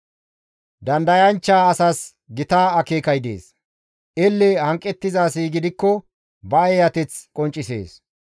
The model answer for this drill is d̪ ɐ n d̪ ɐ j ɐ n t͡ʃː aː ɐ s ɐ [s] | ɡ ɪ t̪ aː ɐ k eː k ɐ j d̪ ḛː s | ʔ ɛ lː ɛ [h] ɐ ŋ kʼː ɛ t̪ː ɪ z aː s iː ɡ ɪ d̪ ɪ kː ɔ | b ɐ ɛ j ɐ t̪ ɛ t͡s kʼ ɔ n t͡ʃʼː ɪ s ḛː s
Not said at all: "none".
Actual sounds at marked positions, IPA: s, h

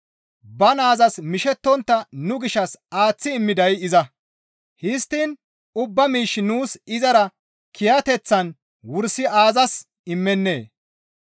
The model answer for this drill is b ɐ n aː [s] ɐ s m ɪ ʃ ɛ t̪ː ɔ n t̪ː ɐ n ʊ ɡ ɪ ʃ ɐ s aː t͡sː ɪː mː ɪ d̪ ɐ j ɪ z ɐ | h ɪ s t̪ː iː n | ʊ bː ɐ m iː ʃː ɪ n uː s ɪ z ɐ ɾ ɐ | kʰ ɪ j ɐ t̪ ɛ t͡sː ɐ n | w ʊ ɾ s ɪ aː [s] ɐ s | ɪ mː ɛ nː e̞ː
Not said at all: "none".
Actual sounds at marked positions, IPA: z, z

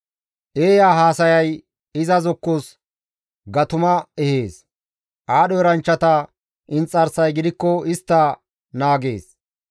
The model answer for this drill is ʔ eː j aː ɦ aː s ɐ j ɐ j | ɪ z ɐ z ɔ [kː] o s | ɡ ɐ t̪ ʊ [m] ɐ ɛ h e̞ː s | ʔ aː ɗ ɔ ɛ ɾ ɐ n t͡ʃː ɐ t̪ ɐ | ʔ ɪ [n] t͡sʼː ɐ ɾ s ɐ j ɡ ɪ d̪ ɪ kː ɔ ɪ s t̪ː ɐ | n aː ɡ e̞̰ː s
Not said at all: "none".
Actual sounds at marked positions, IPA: kː, m, n

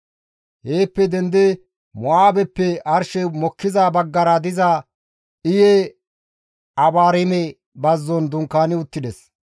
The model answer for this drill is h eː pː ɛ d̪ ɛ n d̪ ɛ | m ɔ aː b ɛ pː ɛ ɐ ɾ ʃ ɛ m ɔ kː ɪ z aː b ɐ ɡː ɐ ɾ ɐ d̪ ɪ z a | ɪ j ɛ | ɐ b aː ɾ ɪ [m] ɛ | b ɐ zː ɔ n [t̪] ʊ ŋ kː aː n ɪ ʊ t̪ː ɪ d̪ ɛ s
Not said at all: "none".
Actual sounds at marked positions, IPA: m, d̪

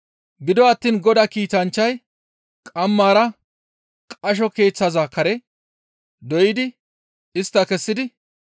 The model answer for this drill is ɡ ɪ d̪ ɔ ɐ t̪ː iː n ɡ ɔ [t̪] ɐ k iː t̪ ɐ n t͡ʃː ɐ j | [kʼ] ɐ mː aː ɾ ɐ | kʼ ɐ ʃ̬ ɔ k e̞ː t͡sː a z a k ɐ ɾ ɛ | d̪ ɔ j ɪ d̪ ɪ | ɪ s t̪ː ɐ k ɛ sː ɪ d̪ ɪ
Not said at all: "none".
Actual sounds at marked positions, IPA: d̪, kʼ

